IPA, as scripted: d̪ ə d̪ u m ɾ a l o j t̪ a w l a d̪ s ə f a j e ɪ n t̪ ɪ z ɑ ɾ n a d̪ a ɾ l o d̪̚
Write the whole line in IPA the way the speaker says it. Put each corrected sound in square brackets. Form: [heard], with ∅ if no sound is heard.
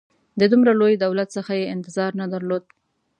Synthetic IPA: d̪ ə d̪ u m ɾ a l o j [d̪] a w l a [t̪] s ə [x] a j e ɪ n t̪ ɪ z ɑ ɾ n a d̪ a ɾ l o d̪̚

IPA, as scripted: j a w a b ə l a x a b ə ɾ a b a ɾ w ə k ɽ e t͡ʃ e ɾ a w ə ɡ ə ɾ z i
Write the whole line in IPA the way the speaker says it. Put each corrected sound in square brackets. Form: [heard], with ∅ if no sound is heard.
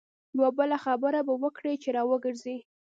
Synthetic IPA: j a w a b ə l a x a b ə ɾ a b a [∅] w ə k ɽ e t͡ʃ e ɾ [ɑ] w ə ɡ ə ɾ z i

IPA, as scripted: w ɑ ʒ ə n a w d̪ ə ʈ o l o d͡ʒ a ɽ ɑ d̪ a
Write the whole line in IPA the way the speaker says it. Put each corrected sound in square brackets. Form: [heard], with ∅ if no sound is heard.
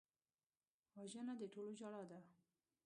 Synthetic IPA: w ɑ ʒ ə n a [∅] d̪ ə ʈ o l o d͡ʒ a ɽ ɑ d̪ a

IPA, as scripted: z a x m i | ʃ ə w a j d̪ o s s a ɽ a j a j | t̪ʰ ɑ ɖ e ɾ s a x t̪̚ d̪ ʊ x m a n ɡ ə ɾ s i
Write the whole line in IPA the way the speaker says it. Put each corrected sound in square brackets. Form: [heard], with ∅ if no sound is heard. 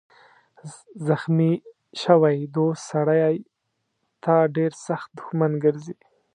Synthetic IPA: z a x m i | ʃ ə w a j d̪ o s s a ɽ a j a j | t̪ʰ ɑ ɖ e ɾ s a x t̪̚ d̪ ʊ x m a n ɡ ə ɾ [z] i

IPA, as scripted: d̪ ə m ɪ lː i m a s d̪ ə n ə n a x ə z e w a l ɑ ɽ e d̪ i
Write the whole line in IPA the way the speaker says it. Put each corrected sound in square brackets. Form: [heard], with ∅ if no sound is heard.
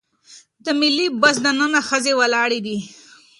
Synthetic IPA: d̪ ə m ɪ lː i [b] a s d̪ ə n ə n a x ə z e w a l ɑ ɽ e d̪ i

